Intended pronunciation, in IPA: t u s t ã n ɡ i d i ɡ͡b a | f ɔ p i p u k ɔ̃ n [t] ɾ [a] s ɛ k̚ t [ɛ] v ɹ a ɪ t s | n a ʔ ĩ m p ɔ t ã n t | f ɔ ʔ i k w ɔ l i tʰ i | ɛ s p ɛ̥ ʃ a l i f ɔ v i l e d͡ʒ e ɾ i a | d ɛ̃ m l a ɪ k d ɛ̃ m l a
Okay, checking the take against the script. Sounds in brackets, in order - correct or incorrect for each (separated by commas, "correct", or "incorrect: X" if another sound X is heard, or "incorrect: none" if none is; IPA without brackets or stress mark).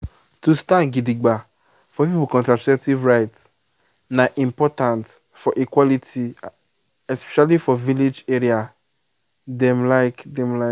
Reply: correct, correct, incorrect: i